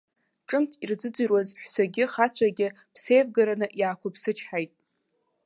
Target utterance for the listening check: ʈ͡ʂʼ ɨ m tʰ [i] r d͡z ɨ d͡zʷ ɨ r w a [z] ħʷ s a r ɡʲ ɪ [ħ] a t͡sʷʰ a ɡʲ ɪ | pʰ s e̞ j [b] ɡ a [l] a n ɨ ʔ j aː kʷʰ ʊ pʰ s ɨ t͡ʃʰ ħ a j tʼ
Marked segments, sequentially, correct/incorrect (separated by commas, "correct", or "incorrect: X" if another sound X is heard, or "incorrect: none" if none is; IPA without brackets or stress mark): correct, correct, incorrect: χ, incorrect: v, incorrect: ɾ